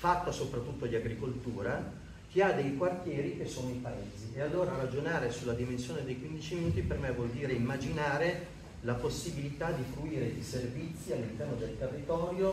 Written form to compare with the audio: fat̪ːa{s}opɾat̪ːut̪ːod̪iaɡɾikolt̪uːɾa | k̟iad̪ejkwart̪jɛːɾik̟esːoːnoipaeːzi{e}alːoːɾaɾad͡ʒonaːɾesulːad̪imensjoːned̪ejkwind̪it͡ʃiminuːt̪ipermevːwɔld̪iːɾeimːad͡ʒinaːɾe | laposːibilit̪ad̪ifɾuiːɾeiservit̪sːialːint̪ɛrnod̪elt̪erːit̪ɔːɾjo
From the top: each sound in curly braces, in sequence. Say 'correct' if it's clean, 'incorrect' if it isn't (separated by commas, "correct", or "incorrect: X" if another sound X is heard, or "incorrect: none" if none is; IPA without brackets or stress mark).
correct, correct